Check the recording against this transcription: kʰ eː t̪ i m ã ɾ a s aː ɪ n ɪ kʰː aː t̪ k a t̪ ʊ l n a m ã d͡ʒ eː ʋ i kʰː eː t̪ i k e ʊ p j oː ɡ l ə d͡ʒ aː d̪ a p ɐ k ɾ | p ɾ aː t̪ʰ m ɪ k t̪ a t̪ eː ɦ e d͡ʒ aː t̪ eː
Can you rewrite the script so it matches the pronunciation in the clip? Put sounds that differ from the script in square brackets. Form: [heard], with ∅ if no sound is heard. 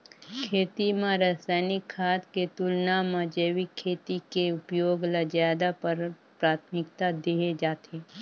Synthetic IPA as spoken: kʰ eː t̪ i m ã ɾ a s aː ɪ n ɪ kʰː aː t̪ k [e] t̪ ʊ l n a m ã d͡ʒ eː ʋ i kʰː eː t̪ i k e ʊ p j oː ɡ l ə d͡ʒ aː d̪ a p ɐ [∅] ɾ | p ɾ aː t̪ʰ m ɪ k t̪ a [d̪] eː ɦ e d͡ʒ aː t̪ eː

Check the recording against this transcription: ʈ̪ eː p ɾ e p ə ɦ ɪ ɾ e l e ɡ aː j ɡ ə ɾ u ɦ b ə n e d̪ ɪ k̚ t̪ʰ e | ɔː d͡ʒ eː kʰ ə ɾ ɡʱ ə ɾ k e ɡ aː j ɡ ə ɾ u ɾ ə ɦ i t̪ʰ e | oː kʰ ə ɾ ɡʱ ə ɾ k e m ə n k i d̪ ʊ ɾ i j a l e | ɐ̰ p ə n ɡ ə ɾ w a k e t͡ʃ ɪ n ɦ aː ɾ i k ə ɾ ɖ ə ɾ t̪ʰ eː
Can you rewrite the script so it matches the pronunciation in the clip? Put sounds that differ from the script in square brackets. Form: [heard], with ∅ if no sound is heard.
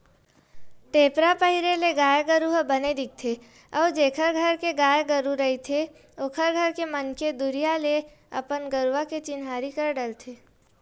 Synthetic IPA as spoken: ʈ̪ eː p ɾ [a] p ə ɦ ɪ ɾ e l e ɡ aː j ɡ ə ɾ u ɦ b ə n e d̪ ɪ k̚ t̪ʰ e | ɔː d͡ʒ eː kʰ ə ɾ ɡʱ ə ɾ k e ɡ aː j ɡ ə ɾ u ɾ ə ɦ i t̪ʰ e | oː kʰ ə ɾ ɡʱ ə ɾ k e m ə n k [e] d̪ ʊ ɾ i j a l e | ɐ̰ p ə n ɡ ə ɾ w a k e t͡ʃ ɪ n ɦ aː ɾ i k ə ɾ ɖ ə [l] t̪ʰ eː

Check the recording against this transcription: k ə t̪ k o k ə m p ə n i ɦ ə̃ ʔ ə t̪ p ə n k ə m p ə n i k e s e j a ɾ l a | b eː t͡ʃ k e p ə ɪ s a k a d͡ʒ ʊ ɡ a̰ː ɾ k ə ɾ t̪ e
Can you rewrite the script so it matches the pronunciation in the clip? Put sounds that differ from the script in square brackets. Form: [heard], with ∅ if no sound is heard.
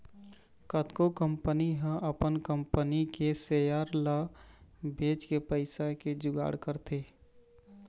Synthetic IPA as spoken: k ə t̪ k o k ə m p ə n i ɦ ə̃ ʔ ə [∅] p ə n k ə m p ə n i k e s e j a ɾ l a | b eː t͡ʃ k e p ə ɪ s a k [e] d͡ʒ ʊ ɡ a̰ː [ɽ] k ə ɾ t̪ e

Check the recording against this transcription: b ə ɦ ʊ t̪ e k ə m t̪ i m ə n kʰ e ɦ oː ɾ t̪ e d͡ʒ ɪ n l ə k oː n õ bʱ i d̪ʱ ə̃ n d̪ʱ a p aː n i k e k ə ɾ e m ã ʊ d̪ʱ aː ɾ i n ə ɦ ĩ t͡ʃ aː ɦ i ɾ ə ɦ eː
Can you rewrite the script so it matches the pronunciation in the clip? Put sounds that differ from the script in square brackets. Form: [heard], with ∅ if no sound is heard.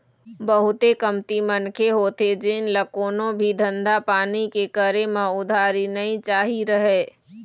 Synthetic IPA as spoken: b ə ɦ ʊ t̪ e k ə m t̪ i m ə n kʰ e ɦ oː [∅] t̪ e d͡ʒ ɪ n l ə k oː n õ bʱ i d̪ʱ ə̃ n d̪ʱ a p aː n i k e k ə ɾ e m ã ʊ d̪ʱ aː ɾ i n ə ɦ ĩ t͡ʃ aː ɦ i ɾ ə ɦ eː

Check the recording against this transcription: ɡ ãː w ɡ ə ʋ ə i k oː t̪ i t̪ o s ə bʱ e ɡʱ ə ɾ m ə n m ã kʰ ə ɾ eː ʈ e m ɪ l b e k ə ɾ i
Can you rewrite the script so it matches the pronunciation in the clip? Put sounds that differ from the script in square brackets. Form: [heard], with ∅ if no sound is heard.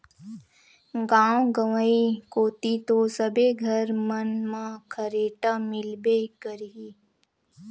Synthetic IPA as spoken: ɡ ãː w ɡ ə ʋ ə i k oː t̪ i t̪ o s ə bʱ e ɡʱ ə ɾ m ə n m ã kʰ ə ɾ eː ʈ [a] m ɪ l b e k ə ɾ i

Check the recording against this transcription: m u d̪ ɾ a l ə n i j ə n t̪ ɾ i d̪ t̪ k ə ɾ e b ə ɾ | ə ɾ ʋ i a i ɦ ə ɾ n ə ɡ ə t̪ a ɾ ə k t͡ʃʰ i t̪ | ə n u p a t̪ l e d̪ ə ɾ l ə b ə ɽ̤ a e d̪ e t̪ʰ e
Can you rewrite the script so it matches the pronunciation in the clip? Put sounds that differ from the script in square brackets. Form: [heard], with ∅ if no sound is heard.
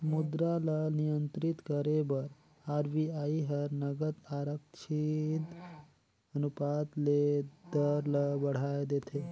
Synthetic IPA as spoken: m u d̪ ɾ a l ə n i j ə n t̪ ɾ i [∅] t̪ k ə ɾ e b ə ɾ | [a] ɾ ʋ i a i ɦ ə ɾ n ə ɡ ə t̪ a ɾ ə k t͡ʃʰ i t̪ | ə n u p a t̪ l e d̪ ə ɾ l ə b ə ɽ̤ a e d̪ e t̪ʰ e

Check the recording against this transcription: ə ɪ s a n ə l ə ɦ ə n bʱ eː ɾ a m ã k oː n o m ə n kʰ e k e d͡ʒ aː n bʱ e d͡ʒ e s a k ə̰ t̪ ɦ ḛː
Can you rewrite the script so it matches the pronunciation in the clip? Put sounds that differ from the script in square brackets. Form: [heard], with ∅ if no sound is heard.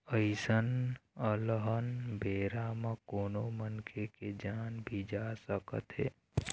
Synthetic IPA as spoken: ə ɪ s [ə] n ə l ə ɦ ə n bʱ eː ɾ a m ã k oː n o m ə n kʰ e k e d͡ʒ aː n bʱ [i] d͡ʒ [a] s [ə] k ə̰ t̪ ɦ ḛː

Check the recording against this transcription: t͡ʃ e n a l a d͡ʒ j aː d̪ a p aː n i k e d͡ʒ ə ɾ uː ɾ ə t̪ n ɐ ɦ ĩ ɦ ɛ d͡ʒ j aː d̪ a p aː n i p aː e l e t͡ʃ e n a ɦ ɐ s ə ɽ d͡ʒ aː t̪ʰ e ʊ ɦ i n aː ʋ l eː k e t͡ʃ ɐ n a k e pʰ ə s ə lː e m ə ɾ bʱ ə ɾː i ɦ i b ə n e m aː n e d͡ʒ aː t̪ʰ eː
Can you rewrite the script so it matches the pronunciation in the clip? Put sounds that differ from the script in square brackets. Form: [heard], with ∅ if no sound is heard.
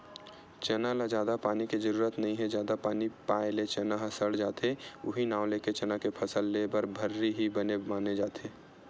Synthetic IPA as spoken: t͡ʃ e n a l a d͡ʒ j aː d̪ a p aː n i k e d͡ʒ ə ɾ uː ɾ ə t̪ n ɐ ɦ ĩ ɦ ɛ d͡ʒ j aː d̪ a p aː n i p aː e l e t͡ʃ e n a ɦ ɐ s ə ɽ d͡ʒ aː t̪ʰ e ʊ ɦ i n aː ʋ l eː k e t͡ʃ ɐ n a k e pʰ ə s ə lː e [b] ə ɾ bʱ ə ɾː i ɦ i b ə n e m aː n e d͡ʒ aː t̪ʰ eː

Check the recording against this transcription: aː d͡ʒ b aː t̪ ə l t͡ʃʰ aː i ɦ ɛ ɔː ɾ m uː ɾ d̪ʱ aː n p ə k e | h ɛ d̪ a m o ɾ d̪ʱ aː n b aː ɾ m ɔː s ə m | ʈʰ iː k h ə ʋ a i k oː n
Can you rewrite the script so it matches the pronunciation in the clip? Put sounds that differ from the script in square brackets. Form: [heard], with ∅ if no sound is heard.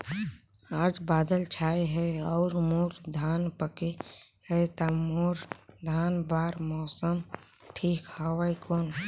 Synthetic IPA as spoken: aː d͡ʒ b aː [d̪] ə l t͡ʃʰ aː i ɦ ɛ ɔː ɾ m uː ɾ d̪ʱ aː n p ə k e | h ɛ [t̪] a m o ɾ d̪ʱ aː n b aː ɾ m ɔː s ə m | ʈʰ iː k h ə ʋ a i k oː n

